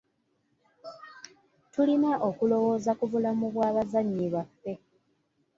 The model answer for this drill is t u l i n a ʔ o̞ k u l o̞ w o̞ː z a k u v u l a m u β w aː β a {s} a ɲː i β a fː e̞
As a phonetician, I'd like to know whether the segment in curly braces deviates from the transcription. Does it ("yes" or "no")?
yes